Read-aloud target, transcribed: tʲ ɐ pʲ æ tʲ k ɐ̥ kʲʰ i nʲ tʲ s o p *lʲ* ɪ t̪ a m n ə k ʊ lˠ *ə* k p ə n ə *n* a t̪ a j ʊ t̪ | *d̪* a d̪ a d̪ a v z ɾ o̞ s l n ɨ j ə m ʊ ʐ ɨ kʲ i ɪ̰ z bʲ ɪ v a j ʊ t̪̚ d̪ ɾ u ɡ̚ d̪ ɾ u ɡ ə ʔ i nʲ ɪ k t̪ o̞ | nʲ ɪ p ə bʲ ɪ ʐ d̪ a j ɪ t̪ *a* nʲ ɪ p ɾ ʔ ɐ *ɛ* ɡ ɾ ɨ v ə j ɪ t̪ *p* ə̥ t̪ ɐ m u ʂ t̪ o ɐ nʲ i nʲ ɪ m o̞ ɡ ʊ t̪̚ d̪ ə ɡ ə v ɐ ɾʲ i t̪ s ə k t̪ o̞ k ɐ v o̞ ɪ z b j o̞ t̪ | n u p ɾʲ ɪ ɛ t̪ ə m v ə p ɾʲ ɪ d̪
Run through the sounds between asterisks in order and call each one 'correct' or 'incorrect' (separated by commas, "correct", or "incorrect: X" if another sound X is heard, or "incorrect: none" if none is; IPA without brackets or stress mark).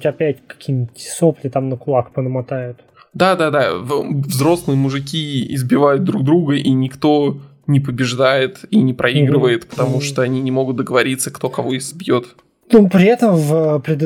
correct, incorrect: a, incorrect: m, correct, incorrect: i, incorrect: i, correct